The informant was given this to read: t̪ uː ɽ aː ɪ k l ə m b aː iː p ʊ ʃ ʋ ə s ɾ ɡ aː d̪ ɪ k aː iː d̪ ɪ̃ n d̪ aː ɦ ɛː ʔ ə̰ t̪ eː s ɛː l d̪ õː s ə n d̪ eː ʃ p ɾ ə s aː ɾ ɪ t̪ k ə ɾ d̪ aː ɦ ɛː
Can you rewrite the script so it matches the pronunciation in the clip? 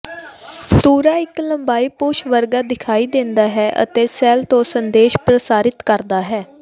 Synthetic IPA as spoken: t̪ uː ɾ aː ɪ k l ə m b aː iː p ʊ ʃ ʋ ə ɾ ɡ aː d̪ ɪ kʰ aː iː d̪ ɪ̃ n d̪ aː ɦ ɛː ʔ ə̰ t̪ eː s ɛː l t̪ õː s ə n d̪ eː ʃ p ɾ ə s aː ɾ ɪ t̪ k ə ɾ d̪ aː ɦ ɛː